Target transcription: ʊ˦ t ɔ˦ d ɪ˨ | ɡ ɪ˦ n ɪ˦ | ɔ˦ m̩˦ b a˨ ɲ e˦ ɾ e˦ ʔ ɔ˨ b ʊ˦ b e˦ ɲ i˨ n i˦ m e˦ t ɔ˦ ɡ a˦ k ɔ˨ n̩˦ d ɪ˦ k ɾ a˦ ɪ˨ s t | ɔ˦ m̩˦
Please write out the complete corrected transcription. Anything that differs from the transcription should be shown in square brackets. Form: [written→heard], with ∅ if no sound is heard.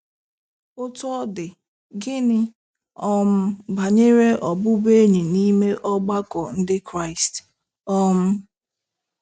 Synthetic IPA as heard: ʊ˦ t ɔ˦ d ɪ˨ | ɡ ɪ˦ n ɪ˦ | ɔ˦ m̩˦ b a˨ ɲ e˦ ɾ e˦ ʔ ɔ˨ b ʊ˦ b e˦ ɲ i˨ n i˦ m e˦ [t→ʔ] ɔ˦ [ɡ→ɡ͡b] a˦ k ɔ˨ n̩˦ d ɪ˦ k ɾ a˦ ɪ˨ s t | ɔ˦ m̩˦